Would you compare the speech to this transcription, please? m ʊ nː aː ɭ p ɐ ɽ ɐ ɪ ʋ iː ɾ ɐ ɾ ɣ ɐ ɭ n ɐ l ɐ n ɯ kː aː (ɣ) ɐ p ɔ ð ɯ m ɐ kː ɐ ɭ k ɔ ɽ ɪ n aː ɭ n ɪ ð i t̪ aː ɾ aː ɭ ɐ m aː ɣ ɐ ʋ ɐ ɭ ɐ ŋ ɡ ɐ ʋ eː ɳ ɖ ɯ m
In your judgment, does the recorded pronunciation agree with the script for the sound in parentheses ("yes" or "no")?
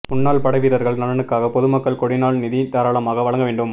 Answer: yes